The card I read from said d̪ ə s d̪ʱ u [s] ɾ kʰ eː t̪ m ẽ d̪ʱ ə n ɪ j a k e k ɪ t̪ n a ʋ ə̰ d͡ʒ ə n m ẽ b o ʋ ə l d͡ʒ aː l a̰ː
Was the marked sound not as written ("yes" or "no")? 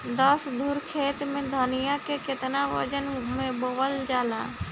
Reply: yes